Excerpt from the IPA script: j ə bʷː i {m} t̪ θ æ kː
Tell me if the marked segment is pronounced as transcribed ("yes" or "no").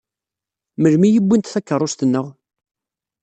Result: no